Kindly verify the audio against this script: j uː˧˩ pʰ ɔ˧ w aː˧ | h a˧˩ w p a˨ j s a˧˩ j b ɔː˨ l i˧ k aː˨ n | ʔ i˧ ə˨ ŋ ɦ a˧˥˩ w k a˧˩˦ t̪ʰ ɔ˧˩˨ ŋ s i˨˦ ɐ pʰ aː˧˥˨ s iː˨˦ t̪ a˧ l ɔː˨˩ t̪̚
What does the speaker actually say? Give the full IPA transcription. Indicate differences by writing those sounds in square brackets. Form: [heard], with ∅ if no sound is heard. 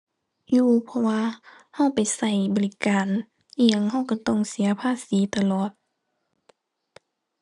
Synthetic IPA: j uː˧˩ pʰ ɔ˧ w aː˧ | h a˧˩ w p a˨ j s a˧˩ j b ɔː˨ l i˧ k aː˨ n | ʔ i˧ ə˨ ŋ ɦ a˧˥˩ w k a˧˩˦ [t̪] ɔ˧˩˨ ŋ s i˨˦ ɐ pʰ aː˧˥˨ s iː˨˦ t̪ a˧ l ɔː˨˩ t̪̚